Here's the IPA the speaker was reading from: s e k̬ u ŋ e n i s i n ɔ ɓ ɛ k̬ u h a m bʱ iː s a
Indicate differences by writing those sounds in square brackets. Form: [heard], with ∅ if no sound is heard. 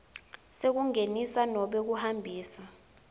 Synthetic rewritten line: s e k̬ u ŋ e n i s [a] n ɔ ɓ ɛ k̬ u h a m bʱ iː s a